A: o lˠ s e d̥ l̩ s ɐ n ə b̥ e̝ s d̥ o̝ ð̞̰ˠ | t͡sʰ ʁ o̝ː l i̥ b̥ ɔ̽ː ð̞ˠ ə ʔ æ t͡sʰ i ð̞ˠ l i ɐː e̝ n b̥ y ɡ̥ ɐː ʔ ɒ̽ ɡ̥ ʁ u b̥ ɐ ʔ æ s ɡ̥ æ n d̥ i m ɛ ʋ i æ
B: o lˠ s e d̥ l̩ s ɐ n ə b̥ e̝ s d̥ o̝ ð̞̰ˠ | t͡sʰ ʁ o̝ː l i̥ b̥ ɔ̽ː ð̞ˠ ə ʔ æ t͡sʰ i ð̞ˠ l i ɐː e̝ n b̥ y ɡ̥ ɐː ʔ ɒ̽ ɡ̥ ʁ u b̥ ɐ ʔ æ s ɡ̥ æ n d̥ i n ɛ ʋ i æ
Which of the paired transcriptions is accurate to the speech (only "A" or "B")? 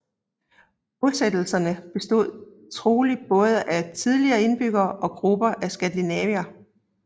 B